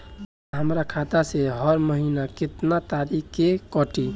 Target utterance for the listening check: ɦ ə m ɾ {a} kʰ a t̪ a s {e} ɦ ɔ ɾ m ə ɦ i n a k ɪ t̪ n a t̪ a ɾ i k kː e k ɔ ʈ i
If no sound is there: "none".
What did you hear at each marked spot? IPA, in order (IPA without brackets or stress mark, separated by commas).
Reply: a, e